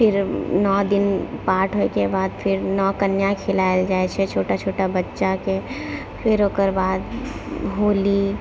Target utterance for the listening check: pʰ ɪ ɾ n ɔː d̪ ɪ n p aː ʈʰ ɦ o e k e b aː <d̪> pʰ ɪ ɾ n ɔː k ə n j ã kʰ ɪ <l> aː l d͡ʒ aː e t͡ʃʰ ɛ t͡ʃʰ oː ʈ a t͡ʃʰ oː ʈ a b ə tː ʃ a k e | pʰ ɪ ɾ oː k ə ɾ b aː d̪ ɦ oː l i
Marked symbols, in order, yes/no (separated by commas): yes, yes